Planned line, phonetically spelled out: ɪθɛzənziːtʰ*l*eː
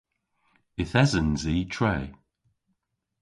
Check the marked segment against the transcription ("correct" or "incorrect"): incorrect